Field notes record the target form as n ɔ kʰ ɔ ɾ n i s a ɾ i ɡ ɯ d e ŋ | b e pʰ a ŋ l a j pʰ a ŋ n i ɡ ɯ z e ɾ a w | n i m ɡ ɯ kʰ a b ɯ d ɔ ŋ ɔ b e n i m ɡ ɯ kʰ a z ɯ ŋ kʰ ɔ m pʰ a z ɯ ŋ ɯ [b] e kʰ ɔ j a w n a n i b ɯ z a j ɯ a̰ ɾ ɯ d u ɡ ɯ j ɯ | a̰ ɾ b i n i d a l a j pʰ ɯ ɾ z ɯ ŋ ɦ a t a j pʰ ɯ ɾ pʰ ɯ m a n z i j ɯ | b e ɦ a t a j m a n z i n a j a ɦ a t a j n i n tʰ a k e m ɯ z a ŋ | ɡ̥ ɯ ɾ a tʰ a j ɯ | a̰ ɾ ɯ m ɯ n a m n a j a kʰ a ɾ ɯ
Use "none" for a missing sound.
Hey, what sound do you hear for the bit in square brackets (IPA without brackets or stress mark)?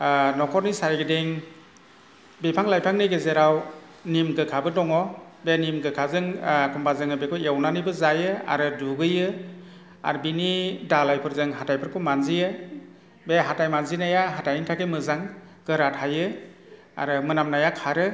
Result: b